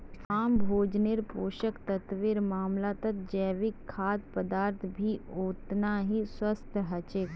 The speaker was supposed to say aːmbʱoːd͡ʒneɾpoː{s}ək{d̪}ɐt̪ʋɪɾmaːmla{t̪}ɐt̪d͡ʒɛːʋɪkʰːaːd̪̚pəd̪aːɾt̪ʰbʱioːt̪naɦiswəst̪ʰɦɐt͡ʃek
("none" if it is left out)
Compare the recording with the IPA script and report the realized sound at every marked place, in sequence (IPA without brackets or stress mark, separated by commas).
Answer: ʃ, t̪, t̪